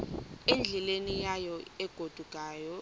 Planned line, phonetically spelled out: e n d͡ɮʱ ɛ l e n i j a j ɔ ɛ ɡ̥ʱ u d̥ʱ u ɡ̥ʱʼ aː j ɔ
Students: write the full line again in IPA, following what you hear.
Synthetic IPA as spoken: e n d͡ɮʱ ɛ l e n i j a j ɔ ɛ ɡ̥ʱ o d̥ʱ u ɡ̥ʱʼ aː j ɔ

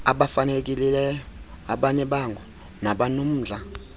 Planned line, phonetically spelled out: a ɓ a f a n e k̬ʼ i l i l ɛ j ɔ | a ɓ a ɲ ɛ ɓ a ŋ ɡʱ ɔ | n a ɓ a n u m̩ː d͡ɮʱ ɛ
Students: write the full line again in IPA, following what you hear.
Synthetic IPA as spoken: a ɓ a f a n e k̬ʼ i l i l ɛ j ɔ | a ɓ a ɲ ɛ ɓ a ŋ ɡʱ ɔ | n a ɓ a n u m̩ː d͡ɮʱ a

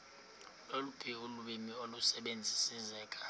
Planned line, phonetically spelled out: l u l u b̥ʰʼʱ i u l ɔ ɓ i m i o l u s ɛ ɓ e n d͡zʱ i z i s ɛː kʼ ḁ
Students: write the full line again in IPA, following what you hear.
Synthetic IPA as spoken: l o l u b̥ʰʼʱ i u l u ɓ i m i o l u s ɛ ɓ e n d͡zʱ i s i z ɛː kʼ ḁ

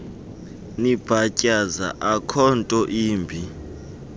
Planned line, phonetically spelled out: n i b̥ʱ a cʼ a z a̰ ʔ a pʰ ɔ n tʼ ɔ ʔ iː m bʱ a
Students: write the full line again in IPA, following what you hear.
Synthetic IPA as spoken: n i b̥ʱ a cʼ a z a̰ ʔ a kʰ ɔ n tʼ ɔ ʔ iː m bʱ i

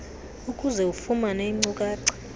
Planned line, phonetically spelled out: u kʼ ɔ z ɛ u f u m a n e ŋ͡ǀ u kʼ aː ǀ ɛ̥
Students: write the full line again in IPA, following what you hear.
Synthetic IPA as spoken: u kʼ u z ɛ u f u m a n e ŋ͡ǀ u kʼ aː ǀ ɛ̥

